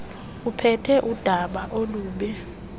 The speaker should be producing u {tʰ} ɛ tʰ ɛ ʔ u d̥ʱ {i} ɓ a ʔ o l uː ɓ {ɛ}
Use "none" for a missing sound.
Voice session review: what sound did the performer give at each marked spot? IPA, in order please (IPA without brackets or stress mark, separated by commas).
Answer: pʰ, a, ɛ